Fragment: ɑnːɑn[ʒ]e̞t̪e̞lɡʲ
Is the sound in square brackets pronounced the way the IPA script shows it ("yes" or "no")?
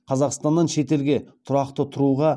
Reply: no